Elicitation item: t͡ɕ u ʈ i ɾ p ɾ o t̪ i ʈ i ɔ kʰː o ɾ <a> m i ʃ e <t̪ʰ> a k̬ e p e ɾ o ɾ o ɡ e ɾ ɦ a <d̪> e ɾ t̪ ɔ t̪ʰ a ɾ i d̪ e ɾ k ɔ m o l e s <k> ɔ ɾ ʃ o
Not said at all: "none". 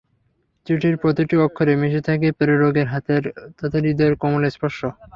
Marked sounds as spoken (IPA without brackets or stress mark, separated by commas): e, t̪ʰ, t̪, p